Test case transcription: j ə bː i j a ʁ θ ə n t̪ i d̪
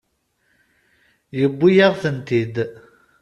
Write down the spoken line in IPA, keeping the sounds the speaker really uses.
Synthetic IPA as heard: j ə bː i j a ʁ θ ə n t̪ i d̪